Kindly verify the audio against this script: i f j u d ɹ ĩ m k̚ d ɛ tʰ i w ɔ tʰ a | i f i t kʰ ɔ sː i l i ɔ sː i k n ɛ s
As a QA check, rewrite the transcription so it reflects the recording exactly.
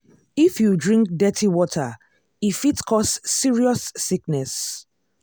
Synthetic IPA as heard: i f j u d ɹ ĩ ŋ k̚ d ɛ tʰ i w ɔ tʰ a | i f i t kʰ ɔ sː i ɹ i ɔ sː i k n ɛ s